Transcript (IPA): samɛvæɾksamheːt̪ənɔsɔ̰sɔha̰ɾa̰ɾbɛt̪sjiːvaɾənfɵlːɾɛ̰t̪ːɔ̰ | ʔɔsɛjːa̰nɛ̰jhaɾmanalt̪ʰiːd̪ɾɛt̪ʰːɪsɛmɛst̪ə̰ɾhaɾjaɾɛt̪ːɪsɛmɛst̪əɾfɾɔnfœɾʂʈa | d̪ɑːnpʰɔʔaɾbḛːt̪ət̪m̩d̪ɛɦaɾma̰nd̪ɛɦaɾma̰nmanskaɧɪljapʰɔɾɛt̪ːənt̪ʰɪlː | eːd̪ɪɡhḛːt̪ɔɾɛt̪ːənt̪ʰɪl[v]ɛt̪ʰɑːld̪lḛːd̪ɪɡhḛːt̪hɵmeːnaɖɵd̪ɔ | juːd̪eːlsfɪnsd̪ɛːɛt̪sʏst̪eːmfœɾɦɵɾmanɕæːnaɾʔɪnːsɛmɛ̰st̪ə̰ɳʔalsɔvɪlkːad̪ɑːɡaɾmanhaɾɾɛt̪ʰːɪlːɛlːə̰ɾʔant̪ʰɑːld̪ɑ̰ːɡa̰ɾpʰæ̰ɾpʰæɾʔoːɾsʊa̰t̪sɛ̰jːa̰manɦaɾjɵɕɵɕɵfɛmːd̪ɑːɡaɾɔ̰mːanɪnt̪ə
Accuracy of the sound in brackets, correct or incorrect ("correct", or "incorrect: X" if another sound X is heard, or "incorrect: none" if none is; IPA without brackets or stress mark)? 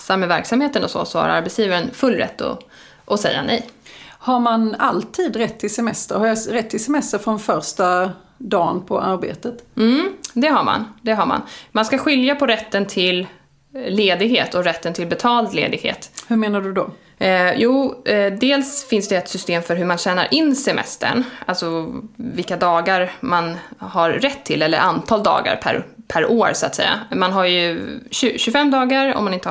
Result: incorrect: b